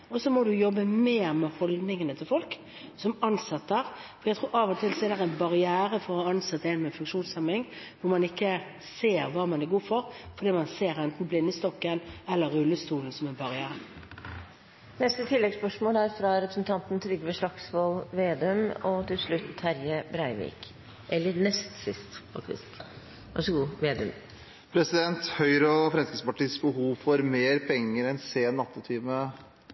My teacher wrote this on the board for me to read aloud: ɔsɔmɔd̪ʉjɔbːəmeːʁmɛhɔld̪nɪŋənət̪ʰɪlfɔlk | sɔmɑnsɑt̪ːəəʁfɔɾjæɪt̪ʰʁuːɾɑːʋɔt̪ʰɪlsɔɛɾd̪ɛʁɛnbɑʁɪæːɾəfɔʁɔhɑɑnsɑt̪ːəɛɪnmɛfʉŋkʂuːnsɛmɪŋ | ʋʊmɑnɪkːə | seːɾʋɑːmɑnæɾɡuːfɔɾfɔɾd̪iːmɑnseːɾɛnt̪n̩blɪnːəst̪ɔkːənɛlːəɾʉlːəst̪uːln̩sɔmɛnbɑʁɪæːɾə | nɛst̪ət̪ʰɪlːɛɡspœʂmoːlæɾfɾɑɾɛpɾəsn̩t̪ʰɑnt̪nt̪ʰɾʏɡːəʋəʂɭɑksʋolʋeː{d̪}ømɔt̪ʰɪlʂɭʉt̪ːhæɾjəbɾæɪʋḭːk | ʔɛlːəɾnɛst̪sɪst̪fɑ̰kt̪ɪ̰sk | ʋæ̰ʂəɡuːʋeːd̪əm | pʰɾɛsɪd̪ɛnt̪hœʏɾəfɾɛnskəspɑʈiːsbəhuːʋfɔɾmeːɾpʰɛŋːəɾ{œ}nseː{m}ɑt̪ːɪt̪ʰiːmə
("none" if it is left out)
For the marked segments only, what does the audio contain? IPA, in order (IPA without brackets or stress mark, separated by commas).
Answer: d̪, ɛ, n